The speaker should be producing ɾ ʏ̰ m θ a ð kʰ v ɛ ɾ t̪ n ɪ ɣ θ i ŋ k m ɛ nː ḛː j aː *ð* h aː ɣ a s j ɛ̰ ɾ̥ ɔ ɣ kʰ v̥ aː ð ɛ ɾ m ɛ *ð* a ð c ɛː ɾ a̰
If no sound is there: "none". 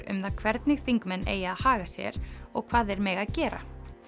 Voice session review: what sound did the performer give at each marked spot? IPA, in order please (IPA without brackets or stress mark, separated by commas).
ð, ɣ